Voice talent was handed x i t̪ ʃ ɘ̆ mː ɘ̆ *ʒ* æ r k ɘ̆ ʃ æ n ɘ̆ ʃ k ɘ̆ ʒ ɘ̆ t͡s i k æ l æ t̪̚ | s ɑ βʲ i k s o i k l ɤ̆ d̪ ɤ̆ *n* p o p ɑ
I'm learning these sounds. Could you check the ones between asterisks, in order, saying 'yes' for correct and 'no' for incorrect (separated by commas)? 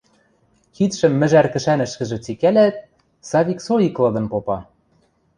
yes, yes